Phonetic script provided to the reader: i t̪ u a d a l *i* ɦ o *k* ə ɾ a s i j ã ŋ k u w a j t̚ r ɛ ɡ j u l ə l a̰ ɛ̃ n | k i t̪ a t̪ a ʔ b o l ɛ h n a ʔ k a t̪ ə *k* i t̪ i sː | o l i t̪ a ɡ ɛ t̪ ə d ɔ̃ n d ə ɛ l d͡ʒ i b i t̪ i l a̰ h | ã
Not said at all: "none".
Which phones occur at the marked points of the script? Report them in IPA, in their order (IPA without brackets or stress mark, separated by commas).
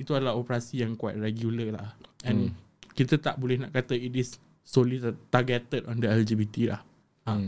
a, p, none